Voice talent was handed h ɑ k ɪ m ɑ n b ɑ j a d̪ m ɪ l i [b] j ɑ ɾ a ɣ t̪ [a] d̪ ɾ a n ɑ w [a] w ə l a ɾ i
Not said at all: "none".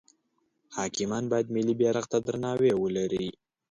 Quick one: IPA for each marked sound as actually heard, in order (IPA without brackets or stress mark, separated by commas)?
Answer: b, a, e